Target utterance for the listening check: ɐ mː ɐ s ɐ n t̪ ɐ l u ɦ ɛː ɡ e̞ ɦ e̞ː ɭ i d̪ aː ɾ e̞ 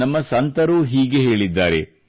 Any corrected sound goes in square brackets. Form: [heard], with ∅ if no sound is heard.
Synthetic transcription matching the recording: ɐ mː ɐ s ɐ n t̪ ɐ [ɾ] u ɦ [iː] ɡ e̞ ɦ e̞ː ɭ i [d̪ː] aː ɾ e̞